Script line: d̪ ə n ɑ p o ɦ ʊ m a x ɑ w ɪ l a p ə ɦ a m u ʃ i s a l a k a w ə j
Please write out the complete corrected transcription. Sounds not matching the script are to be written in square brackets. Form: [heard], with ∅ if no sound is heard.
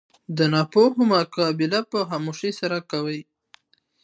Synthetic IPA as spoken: d̪ ə n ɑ p o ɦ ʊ m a [k] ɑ [b] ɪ l a p ə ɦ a m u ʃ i s a [ɾ] a k a w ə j